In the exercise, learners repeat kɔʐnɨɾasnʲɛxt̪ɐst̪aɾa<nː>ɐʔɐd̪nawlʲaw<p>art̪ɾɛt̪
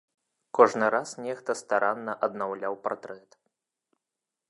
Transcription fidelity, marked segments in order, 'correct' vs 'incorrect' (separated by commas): correct, correct